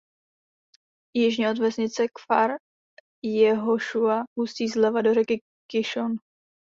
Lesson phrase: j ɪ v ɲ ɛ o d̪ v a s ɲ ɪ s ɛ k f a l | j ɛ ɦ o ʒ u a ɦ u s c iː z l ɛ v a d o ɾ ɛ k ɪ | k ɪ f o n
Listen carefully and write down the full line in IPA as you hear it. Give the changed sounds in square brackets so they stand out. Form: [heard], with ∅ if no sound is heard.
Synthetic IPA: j ɪ [ʒ] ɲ ɛ o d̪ v [ɛ] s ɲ ɪ [t͡s] ɛ k f a [ɾ] | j ɛ ɦ o [ʃ] u a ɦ u s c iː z l ɛ v a d o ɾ ɛ k ɪ | k ɪ [ʃ] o n